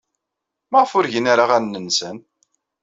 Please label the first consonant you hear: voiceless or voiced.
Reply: voiced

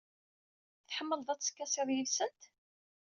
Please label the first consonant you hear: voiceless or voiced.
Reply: voiceless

